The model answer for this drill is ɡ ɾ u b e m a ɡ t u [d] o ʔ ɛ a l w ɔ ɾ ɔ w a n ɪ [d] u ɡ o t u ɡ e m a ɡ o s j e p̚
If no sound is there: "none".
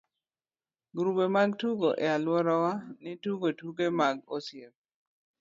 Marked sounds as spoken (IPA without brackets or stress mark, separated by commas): ɡ, t